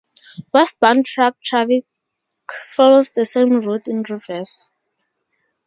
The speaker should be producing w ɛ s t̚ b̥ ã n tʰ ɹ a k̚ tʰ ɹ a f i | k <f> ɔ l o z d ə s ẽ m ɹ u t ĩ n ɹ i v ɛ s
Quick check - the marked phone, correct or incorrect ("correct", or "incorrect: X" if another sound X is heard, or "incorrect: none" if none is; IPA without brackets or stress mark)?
correct